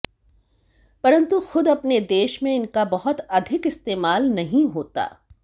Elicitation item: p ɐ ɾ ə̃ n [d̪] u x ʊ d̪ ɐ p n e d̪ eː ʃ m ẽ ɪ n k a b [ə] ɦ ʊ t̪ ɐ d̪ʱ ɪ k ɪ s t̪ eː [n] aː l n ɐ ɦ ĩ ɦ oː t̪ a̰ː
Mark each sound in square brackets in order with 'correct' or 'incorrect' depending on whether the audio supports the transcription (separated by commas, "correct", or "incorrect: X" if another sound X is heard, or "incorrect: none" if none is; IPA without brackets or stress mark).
incorrect: t̪, incorrect: ɐ, incorrect: m